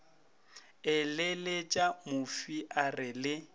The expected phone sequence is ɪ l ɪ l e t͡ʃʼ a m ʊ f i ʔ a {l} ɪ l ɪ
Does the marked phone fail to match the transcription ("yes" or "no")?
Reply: yes